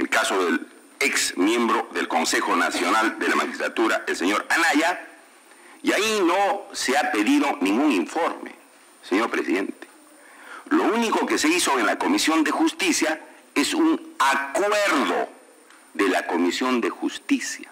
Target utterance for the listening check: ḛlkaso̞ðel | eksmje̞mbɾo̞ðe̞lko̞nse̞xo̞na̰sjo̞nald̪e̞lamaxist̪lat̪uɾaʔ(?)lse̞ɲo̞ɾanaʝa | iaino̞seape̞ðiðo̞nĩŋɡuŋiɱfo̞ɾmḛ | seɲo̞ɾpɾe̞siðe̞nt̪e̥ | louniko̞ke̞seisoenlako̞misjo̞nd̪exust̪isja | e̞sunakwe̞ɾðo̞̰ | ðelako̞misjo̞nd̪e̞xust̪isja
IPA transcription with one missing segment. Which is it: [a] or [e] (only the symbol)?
e